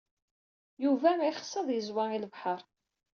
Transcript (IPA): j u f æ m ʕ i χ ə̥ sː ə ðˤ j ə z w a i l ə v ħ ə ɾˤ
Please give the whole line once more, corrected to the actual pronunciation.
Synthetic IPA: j u v æ m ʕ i χ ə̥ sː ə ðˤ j ə z w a i l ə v ħ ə ɾˤ